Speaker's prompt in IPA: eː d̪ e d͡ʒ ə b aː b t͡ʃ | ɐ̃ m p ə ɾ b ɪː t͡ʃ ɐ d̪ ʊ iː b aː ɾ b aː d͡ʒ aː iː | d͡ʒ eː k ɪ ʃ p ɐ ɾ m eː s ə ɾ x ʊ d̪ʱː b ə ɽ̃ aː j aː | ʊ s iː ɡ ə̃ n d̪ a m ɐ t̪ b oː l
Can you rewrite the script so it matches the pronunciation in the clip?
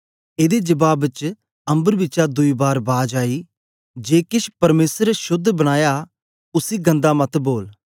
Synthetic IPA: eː d̪ e d͡ʒ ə b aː b t͡ʃ | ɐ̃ m b ə ɾ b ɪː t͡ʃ a d̪ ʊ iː b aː ɾ b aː d͡ʒ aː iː | d͡ʒ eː k ɪ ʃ p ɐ ɾ m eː s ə ɾ ʃ ʊ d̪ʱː b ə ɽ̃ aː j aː | ʊ s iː ɡ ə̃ n d̪ a m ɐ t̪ b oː l